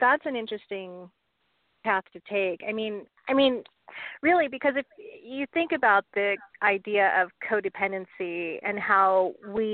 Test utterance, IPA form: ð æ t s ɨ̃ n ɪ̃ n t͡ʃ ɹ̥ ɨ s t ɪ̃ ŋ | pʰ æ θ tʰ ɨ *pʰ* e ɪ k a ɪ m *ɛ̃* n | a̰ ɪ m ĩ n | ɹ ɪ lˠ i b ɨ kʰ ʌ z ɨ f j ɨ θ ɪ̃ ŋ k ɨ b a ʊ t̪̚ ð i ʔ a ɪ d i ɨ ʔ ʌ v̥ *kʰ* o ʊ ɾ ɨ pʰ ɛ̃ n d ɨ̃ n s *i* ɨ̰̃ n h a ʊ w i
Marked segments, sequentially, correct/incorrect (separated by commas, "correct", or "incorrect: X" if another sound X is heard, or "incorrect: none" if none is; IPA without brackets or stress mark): incorrect: tʰ, incorrect: ĩ, correct, correct